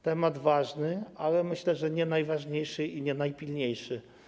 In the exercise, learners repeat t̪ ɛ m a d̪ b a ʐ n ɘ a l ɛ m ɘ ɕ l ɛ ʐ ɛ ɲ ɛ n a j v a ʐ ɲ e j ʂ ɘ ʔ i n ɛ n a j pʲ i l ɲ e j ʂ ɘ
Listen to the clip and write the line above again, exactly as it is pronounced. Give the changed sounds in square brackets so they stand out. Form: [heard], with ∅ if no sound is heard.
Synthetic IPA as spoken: t̪ ɛ m a d̪ [v] a ʐ n ɘ a l ɛ m ɘ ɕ l ɛ ʐ ɛ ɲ ɛ n a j v a ʐ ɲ e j ʂ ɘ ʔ i [ɲ] ɛ n a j pʲ i l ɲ e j ʂ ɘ